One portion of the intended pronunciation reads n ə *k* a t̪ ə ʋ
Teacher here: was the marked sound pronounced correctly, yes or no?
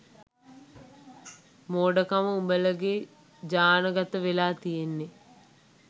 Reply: no